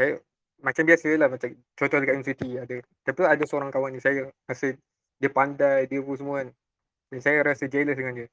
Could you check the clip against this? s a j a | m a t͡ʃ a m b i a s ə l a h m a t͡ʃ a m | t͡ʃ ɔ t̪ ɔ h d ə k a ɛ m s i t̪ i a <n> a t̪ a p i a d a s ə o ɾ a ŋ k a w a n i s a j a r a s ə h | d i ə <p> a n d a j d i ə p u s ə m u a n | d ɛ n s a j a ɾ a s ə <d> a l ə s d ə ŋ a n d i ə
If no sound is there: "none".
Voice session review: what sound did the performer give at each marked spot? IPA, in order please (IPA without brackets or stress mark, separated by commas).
d, p, d͡ʒ